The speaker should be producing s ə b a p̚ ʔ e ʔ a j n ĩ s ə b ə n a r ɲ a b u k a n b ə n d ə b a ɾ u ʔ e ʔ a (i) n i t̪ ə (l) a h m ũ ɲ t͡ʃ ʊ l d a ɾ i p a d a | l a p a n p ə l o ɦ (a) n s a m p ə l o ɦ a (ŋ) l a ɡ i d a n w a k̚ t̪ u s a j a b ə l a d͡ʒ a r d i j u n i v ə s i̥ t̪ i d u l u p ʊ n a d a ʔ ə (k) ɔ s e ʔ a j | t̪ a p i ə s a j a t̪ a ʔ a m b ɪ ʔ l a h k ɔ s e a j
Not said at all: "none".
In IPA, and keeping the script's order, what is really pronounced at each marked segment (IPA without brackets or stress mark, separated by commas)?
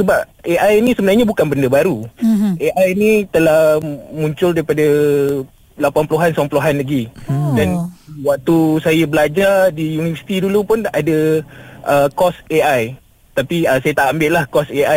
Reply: j, l, a, n, k